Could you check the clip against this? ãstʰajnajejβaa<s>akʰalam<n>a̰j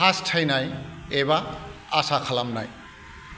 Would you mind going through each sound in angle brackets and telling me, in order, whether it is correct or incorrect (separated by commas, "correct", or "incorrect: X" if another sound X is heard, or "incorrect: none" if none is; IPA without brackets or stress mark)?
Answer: correct, correct